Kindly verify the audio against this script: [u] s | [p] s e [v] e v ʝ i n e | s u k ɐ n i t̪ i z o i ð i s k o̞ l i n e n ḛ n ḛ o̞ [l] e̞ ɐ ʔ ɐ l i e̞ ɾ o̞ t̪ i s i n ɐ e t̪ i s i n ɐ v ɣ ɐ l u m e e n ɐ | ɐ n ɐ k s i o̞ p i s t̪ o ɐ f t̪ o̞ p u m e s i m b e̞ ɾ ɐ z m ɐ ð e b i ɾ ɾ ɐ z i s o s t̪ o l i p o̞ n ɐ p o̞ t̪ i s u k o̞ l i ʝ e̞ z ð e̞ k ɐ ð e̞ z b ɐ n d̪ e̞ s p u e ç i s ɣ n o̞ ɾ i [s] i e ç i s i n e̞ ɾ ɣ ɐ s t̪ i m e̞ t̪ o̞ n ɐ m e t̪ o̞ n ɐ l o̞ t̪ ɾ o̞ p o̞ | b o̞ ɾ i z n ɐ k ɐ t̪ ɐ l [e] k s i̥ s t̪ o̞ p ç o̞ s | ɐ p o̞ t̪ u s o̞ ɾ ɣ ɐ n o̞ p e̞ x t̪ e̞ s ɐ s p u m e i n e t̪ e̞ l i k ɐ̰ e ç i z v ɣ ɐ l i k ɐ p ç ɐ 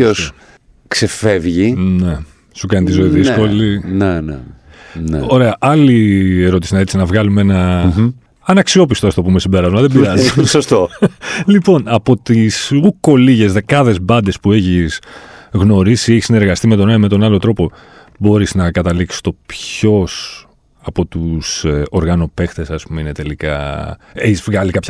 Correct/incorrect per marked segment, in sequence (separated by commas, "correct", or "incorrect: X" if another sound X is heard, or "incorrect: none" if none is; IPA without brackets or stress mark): incorrect: o, incorrect: k, incorrect: f, incorrect: ɾ, correct, incorrect: i